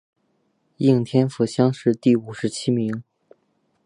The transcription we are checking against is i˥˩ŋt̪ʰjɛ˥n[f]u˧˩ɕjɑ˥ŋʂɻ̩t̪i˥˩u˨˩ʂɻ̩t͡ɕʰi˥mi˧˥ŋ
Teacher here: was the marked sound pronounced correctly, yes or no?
yes